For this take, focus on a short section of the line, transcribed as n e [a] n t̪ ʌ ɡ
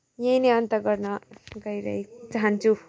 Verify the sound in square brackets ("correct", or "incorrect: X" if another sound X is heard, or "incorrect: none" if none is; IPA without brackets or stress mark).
incorrect: ʌ